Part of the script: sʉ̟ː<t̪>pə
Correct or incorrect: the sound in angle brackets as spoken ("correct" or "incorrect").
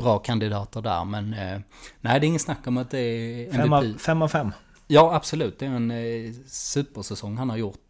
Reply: incorrect